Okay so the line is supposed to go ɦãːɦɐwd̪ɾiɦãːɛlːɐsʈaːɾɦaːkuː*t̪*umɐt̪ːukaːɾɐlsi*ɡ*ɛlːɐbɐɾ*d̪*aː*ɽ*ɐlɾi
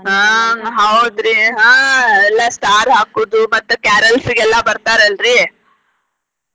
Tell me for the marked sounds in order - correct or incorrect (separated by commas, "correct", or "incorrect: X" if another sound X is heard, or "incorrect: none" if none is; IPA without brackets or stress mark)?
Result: incorrect: d̪, correct, incorrect: t̪, incorrect: ɾ